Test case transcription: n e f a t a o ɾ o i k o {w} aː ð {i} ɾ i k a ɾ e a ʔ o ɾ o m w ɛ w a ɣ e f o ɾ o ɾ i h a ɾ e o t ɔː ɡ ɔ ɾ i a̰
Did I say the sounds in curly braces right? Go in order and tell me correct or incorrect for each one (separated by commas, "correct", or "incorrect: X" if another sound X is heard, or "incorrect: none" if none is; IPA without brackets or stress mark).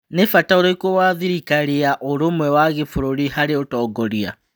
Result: correct, correct